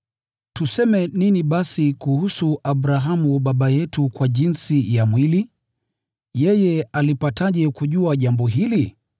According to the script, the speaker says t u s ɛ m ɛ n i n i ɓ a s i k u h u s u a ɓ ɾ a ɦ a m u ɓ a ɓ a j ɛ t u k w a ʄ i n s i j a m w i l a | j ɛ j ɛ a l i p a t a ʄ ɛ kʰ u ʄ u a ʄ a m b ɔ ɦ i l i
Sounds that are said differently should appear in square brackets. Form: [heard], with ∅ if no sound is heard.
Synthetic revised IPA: t u s ɛ m ɛ n i n i ɓ a s i k u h u s u a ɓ ɾ a ɦ a m u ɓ a ɓ a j ɛ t u k w a ʄ i n s i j a m w i l [i] | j ɛ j ɛ a l i p a t a ʄ ɛ [k] u ʄ u a ʄ a m b ɔ ɦ i l i